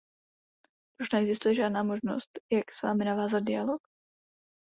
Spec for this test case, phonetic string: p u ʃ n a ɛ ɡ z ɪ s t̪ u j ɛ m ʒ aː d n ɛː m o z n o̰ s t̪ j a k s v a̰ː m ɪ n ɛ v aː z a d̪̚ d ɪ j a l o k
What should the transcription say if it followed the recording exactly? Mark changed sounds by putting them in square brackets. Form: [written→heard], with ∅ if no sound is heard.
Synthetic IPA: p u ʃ n [a→ɛ] ɛ ɡ z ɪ s t̪ u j ɛ [m→∅] ʒ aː d n [ɛː→aː] m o [z→ʒ] n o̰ s t̪ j a k s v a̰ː m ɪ n [ɛ→a] v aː z a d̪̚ d ɪ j a l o k